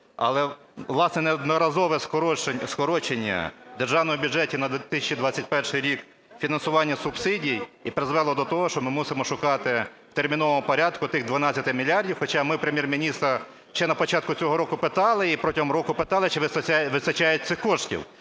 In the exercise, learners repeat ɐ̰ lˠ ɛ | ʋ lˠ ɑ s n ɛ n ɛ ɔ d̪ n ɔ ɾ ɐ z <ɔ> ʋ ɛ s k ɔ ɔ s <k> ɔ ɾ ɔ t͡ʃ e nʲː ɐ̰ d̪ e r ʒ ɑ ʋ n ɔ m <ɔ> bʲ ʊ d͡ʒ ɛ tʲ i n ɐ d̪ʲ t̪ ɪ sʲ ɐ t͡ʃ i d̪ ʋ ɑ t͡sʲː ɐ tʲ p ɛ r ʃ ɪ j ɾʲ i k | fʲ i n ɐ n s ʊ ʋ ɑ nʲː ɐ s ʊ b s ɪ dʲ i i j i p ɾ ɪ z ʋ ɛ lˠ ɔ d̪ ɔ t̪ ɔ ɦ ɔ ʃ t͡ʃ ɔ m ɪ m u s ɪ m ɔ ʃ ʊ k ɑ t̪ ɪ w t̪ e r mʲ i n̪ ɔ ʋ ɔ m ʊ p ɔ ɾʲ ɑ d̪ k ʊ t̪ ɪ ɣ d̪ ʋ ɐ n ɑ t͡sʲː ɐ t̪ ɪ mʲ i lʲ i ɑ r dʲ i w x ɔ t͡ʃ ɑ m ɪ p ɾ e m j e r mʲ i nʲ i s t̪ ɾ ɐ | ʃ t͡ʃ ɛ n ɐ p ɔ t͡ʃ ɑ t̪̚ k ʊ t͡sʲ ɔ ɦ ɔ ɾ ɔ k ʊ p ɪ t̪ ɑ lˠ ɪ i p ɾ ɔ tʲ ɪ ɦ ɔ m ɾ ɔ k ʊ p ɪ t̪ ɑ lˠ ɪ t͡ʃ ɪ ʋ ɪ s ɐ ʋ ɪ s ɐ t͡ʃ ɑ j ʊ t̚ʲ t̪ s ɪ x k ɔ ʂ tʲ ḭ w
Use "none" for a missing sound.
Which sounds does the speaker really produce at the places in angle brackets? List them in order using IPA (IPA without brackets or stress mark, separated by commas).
ɔ, k, ɔ